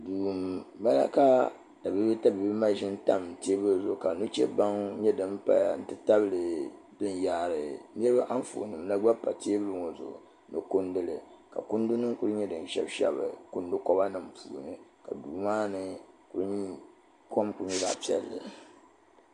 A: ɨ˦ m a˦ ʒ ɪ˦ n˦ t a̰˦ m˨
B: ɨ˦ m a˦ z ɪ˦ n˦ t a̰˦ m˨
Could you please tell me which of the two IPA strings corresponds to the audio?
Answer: A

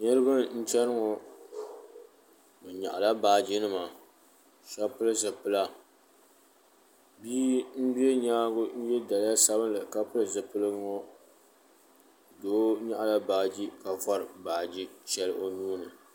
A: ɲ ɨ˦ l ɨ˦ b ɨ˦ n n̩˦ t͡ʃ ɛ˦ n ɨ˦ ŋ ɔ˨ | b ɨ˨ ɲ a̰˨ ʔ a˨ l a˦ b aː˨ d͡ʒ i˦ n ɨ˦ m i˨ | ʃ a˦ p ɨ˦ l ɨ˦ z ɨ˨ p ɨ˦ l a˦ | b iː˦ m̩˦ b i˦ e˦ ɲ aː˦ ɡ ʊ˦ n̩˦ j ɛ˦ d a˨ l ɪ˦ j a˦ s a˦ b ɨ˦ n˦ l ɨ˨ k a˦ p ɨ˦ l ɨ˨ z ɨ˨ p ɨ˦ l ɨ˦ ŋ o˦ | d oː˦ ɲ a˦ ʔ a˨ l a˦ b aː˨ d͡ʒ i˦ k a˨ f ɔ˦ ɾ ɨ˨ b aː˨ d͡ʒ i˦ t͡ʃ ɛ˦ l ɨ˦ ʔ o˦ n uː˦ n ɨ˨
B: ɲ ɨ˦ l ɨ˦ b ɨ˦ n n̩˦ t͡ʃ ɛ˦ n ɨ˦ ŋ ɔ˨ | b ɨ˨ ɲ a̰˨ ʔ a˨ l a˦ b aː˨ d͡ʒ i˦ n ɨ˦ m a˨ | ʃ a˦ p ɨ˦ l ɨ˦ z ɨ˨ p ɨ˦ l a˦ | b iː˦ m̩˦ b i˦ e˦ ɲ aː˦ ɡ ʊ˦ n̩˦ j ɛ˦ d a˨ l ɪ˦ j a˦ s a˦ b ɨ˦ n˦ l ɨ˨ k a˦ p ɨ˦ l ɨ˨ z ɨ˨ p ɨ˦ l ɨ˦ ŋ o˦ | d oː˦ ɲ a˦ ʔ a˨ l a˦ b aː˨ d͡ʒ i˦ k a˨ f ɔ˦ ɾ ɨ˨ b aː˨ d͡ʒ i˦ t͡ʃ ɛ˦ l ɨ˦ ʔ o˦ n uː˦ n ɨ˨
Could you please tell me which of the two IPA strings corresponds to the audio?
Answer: B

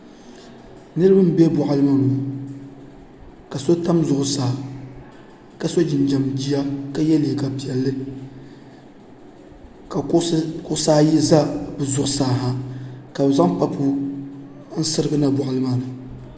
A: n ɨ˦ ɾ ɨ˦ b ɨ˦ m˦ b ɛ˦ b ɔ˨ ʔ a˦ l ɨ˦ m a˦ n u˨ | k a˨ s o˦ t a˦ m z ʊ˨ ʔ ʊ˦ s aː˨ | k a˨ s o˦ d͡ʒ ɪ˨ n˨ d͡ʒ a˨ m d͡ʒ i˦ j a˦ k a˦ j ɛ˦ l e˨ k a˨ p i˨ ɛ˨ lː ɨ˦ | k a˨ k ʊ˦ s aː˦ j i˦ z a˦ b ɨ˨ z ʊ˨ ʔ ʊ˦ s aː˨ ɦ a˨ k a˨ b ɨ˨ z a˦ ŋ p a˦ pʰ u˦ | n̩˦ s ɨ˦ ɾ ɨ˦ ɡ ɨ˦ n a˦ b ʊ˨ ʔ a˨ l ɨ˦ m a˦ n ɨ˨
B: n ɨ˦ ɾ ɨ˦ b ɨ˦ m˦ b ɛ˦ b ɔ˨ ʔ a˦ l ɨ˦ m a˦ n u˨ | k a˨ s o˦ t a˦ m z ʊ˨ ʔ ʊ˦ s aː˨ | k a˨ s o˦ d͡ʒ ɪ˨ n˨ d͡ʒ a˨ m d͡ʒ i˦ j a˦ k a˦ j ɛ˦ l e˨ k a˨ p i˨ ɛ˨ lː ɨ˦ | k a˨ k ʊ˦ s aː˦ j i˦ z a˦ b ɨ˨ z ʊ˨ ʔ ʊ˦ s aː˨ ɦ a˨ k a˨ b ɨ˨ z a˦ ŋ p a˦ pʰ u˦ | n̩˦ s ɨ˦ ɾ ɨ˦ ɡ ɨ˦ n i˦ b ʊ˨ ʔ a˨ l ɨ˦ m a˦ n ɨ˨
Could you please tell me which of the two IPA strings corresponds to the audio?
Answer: A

